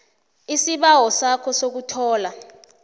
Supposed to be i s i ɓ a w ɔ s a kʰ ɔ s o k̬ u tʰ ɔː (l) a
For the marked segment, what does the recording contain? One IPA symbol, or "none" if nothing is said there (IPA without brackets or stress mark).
l